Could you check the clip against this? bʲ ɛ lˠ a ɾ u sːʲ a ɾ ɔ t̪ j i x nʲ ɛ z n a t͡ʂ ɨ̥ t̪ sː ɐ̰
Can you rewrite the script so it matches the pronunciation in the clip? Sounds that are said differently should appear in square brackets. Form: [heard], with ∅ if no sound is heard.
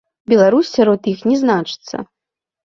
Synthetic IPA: bʲ ɛ lˠ a ɾ u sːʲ a ɾ ɔ t̪ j i x nʲ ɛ z n a t͡ʂ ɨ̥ t̪ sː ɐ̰